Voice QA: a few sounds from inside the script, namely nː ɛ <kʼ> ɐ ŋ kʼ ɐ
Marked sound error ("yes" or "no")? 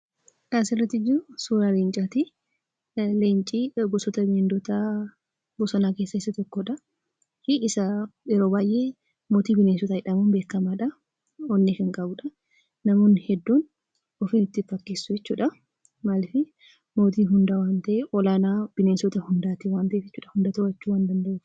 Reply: yes